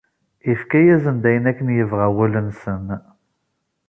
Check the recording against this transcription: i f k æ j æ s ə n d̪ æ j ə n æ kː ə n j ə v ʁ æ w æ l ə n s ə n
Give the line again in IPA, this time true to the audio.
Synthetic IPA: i f k æ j æ z ə n d̪ æ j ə n æ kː ə n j ə v ʁ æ w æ l ə n s ə n